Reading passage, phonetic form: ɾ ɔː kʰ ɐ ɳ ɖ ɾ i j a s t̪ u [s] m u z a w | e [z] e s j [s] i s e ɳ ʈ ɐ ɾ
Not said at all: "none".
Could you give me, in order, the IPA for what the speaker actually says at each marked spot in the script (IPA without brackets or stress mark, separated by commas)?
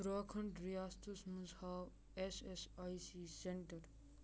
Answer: s, s, s